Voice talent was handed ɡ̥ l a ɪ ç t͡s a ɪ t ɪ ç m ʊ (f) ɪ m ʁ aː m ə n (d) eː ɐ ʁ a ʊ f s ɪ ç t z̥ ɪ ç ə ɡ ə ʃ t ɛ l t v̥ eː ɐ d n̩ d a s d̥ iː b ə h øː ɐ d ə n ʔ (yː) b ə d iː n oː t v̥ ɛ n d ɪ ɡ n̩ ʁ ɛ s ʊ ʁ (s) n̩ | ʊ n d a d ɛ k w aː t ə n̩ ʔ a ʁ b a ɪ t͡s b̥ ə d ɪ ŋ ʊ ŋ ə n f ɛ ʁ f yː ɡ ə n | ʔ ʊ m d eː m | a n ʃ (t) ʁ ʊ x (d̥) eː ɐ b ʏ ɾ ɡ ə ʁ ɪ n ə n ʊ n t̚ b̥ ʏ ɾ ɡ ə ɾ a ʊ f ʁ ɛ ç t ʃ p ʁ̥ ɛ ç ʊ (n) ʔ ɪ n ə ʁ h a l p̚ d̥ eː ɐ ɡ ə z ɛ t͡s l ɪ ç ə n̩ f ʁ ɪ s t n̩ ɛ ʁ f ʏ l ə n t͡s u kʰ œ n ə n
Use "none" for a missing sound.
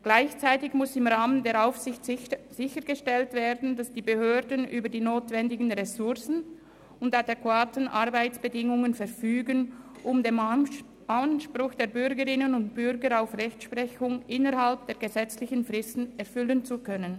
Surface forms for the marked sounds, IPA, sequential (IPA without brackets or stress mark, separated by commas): s, d, yː, s, p, d̥, ŋ